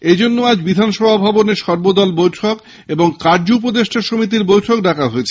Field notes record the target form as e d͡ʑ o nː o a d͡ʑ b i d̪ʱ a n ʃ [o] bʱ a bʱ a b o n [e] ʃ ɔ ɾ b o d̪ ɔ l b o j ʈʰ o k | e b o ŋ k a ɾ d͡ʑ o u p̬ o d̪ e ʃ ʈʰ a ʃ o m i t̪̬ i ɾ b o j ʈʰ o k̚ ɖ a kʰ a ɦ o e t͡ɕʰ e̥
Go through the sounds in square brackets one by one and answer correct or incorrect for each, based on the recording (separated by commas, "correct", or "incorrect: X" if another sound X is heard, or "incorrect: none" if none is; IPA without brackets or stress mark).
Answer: incorrect: ɔ, correct